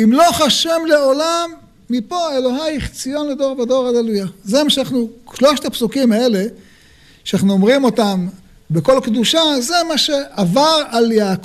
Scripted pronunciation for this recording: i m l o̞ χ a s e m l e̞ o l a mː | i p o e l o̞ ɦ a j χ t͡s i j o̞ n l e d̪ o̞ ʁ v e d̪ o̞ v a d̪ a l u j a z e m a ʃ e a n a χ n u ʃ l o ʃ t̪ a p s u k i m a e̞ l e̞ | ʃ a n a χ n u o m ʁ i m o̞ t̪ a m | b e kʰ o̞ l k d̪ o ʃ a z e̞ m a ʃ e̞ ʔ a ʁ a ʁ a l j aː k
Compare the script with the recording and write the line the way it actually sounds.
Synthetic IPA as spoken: i m l o̞ χ a ʃ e m l e̞ o l a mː | i p o e l o̞ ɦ a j χ t͡s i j o̞ n l e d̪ o̞ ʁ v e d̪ o̞ ʁ a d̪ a l u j a z e m a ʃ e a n a χ n u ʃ l o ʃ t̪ a p s u k i m a e̞ l e̞ | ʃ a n a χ n u o m ʁ i m o̞ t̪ a m | b e k o̞ l k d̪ u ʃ a z e̞ m a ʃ e̞ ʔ a v a ʁ a l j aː k